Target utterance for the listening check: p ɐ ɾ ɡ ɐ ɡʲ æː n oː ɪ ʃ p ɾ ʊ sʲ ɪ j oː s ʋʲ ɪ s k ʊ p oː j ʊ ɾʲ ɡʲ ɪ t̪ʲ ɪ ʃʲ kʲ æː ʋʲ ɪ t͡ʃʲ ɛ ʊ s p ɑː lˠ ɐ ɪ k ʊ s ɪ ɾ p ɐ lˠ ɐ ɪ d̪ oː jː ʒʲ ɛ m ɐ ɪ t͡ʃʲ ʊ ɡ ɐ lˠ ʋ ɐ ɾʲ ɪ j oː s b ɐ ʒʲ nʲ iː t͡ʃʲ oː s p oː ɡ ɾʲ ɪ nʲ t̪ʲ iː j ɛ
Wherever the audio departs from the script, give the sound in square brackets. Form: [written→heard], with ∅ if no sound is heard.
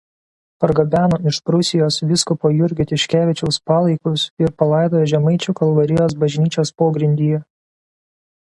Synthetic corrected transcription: p ɐ ɾ ɡ ɐ [ɡʲ→bʲ] æː n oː ɪ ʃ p ɾ ʊ sʲ ɪ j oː s ʋʲ ɪ s k ʊ p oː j ʊ ɾʲ ɡʲ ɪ t̪ʲ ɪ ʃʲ kʲ æː ʋʲ ɪ t͡ʃʲ ɛ ʊ s p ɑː lˠ ɐ ɪ k ʊ s ɪ ɾ p ɐ lˠ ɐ ɪ d̪ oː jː ʒʲ ɛ m ɐ ɪ t͡ʃʲ ʊ [ɡ→k] ɐ lˠ ʋ ɐ ɾʲ ɪ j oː s b ɐ ʒʲ nʲ iː t͡ʃʲ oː s p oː ɡ ɾʲ ɪ nʲ [t̪ʲ→d̪ʲ] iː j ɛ

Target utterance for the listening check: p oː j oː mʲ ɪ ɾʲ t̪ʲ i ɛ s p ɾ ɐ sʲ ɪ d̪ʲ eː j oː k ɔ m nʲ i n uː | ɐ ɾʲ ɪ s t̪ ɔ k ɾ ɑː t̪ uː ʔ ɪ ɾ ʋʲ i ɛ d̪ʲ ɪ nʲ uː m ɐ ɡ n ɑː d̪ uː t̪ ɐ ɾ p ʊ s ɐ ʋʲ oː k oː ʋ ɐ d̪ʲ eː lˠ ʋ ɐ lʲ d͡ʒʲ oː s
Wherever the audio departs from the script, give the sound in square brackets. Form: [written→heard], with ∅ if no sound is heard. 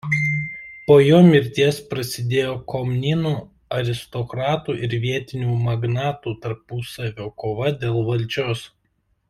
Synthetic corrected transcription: p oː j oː mʲ ɪ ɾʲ t̪ʲ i ɛ s p ɾ ɐ sʲ ɪ d̪ʲ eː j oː k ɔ m nʲ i n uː | ɐ ɾʲ ɪ s t̪ ɔ k ɾ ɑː t̪ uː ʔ ɪ ɾ ʋʲ i ɛ [d̪ʲ→t̪ʲ] ɪ nʲ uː m ɐ ɡ n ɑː [d̪→t̪] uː t̪ ɐ ɾ p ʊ s ɐ ʋʲ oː k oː ʋ ɐ d̪ʲ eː lˠ ʋ ɐ lʲ d͡ʒʲ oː s

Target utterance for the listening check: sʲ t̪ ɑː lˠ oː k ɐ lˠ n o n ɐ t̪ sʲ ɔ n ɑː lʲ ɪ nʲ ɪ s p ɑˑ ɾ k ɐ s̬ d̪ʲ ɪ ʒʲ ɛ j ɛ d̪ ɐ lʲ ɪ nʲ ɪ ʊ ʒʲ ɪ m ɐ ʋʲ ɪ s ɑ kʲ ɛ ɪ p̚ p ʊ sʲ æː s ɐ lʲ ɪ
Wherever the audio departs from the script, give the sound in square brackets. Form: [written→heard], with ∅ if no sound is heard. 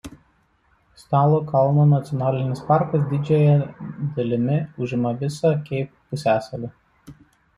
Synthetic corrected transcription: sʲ t̪ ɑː lˠ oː k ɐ lˠ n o n ɐ t̪ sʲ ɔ n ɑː lʲ ɪ nʲ ɪ s p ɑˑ ɾ k ɐ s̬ d̪ʲ ɪ [ʒʲ→d͡ʒʲ] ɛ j ɛ d̪ ɐ lʲ ɪ [nʲ→mʲ] ɪ ʊ ʒʲ ɪ m ɐ ʋʲ ɪ s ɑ kʲ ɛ ɪ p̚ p ʊ sʲ æː s ɐ lʲ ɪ

